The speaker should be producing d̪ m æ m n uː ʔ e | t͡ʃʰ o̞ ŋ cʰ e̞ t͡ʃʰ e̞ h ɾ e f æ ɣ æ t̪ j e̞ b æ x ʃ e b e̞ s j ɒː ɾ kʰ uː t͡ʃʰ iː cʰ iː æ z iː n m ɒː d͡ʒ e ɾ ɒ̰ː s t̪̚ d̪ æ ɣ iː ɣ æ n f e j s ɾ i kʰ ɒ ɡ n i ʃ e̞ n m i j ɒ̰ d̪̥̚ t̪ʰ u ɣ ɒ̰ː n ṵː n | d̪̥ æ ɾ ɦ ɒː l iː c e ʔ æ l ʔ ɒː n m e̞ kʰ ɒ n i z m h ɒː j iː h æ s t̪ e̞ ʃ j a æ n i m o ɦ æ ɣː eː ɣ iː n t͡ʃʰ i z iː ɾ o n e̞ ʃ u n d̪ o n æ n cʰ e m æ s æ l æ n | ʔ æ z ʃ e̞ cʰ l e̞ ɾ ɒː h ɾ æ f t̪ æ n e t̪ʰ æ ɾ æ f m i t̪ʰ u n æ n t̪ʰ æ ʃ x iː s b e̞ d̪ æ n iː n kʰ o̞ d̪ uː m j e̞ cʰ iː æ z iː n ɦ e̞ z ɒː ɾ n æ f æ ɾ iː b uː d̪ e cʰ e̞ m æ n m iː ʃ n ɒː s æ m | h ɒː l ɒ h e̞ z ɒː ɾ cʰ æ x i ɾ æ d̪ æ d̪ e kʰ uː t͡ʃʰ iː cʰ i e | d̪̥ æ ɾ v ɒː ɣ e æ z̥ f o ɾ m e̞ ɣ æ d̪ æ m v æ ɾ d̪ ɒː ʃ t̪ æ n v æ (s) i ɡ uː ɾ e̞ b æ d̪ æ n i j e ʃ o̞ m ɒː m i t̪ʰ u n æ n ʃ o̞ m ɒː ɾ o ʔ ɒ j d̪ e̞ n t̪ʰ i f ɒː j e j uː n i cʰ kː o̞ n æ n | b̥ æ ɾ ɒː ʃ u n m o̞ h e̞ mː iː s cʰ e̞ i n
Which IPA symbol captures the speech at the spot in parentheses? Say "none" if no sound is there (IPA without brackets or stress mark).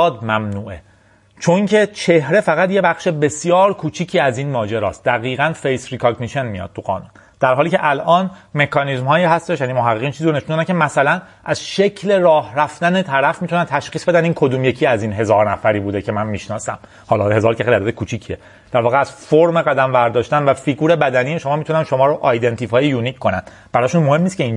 f